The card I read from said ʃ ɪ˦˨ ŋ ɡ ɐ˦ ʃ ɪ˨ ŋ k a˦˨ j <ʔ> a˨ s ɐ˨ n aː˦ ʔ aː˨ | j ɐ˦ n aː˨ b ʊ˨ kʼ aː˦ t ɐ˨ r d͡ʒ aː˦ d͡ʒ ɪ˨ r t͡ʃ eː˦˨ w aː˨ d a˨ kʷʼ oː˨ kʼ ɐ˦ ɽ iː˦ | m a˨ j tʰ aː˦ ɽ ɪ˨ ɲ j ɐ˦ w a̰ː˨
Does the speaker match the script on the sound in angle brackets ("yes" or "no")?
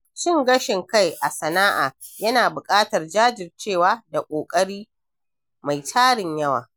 yes